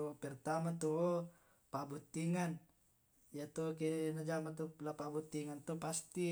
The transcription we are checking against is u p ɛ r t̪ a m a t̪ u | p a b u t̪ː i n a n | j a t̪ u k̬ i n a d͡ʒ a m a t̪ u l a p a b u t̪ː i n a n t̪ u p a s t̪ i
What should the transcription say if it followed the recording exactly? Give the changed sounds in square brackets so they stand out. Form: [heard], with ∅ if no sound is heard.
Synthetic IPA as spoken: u p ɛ r t̪ a m a t̪ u | p a b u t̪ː i [ŋ] a n | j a t̪ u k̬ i n a d͡ʒ a m a t̪ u l a p a b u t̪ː i [ŋ] a n t̪ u p a s t̪ i